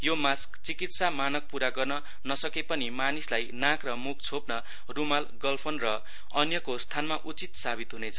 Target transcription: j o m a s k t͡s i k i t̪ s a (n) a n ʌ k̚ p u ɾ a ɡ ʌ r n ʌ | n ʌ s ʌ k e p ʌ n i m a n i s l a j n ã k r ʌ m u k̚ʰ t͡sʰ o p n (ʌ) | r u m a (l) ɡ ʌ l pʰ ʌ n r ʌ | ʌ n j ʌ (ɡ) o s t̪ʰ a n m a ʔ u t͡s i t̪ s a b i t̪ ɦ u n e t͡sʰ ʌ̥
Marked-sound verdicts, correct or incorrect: incorrect: m, correct, correct, incorrect: k

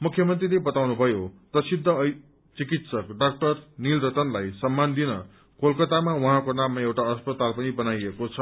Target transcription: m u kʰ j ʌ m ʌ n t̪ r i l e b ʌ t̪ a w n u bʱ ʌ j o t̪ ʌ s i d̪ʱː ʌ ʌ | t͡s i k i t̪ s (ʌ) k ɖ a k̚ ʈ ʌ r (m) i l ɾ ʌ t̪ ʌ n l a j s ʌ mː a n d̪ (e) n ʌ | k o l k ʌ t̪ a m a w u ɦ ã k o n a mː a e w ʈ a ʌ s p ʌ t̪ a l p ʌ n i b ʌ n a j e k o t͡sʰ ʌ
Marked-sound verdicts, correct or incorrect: correct, incorrect: n, incorrect: i

